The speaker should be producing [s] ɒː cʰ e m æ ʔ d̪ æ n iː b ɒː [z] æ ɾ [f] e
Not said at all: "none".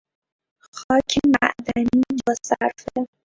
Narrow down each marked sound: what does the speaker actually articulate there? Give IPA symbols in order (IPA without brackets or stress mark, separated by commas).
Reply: x, s, f